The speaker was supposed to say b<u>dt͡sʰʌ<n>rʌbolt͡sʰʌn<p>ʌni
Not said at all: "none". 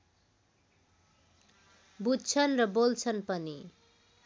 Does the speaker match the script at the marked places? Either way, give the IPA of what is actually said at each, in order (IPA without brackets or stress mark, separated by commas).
u, n, p